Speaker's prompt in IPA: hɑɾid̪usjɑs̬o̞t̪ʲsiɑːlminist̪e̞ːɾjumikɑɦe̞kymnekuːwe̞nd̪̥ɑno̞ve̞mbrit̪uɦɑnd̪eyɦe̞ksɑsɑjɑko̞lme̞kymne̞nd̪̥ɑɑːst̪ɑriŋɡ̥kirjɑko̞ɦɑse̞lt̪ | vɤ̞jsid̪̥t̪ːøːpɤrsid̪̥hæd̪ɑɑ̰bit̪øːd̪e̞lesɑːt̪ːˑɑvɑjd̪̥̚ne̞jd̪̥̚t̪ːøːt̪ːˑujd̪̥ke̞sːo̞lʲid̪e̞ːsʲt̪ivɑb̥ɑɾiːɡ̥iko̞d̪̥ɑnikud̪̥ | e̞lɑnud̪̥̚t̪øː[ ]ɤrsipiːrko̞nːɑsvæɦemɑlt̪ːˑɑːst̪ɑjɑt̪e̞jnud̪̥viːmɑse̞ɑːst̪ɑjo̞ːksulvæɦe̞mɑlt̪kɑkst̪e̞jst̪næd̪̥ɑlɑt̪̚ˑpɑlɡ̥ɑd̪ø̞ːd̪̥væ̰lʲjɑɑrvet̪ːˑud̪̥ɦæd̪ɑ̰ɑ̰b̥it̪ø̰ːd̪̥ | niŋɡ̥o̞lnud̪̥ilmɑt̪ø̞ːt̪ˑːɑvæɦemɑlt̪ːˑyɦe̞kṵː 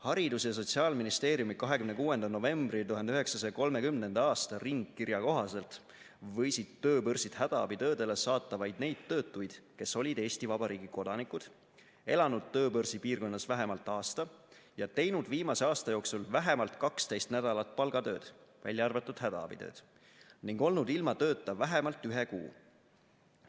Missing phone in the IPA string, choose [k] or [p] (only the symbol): p